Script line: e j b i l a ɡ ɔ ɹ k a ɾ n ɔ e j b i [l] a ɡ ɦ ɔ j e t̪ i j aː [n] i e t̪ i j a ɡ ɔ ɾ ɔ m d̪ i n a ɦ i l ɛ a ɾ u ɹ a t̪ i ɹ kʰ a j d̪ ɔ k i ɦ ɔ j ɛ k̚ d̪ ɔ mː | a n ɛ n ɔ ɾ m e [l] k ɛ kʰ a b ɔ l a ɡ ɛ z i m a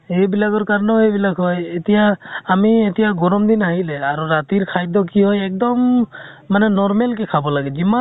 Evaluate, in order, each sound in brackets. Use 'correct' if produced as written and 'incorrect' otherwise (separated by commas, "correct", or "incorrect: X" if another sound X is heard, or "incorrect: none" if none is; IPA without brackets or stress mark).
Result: correct, incorrect: m, correct